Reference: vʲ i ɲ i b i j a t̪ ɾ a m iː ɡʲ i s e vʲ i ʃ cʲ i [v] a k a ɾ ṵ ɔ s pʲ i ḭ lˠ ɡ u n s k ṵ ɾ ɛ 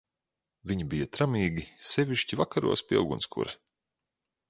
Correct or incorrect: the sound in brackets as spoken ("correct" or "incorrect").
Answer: correct